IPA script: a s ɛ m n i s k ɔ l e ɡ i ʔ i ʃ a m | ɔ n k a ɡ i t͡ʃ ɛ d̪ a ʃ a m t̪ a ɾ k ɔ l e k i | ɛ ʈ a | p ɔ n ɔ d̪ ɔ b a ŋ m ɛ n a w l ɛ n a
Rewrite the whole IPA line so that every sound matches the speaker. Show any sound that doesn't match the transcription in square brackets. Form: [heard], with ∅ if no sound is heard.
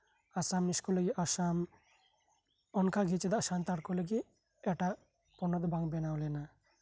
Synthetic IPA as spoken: a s [a] m n i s k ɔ l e ɡ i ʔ [a] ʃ a m | ɔ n k a ɡ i t͡ʃ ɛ d̪ a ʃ a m t̪ a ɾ k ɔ l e [ɡ] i | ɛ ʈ a | p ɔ n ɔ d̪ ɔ b a ŋ [b] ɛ n a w l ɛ n a